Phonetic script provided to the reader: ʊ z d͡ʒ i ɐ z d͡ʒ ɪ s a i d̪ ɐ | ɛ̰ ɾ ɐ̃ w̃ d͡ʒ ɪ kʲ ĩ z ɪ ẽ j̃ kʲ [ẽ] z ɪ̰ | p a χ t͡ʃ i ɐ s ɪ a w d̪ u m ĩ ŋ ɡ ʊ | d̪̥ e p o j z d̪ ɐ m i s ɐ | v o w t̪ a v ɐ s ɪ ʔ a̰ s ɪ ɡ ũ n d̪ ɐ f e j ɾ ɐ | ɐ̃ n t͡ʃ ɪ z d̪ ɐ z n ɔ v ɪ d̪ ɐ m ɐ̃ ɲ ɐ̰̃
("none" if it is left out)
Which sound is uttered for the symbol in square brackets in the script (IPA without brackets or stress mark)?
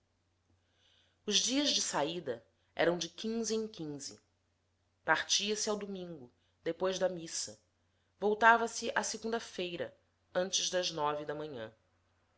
ĩ